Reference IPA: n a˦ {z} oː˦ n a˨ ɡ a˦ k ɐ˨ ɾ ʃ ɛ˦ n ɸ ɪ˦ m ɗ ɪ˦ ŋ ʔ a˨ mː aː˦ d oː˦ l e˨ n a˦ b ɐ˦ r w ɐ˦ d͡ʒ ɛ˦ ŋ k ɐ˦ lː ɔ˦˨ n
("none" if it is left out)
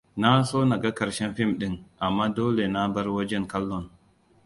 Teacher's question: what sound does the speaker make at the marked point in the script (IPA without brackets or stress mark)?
s